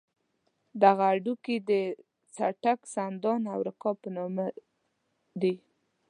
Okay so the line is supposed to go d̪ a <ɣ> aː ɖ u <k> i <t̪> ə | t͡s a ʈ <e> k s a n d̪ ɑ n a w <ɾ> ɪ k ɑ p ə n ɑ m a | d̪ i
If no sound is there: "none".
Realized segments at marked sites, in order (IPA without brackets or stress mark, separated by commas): ɣ, k, d̪, a, ɾ